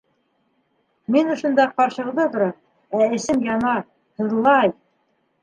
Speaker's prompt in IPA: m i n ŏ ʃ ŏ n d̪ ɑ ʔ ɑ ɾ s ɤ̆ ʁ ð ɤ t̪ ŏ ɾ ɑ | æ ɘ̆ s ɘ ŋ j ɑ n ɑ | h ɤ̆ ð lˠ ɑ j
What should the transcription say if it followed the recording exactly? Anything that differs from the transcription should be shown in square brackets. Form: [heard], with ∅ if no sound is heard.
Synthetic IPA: m i n ŏ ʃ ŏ n d̪ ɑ [q] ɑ ɾ [ʃ] ɤ̆ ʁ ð ɤ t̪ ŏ ɾ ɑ | æ ɘ̆ s ɘ [m] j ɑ n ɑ | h ɤ̆ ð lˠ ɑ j